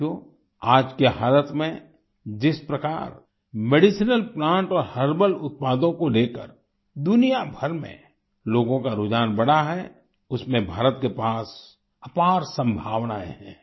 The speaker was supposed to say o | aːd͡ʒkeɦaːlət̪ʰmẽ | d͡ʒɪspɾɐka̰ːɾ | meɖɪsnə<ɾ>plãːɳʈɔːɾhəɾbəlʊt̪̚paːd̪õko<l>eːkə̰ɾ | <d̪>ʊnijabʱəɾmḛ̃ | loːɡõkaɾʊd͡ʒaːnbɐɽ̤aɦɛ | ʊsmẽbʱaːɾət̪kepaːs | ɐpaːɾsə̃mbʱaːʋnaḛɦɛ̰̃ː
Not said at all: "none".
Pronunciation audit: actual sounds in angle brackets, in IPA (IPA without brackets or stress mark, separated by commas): l, l, d̪